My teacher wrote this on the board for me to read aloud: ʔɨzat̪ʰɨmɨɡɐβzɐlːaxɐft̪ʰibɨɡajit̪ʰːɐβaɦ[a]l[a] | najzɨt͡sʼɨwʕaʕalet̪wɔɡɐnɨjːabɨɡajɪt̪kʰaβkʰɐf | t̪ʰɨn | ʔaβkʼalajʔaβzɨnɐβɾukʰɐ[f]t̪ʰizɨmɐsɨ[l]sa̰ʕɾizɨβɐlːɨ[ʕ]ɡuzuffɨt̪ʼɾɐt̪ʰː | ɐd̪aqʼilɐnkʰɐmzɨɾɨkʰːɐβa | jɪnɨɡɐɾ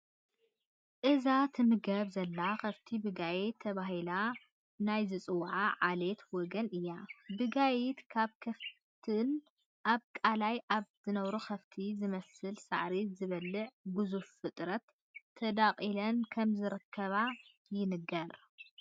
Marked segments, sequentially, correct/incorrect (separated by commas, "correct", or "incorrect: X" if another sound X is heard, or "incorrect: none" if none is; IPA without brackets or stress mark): incorrect: i, correct, correct, correct, correct